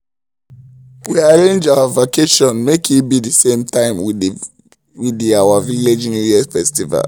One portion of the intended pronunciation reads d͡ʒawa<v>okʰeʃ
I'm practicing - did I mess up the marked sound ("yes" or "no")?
no